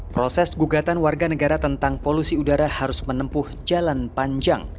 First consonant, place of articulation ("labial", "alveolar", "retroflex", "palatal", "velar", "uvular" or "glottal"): labial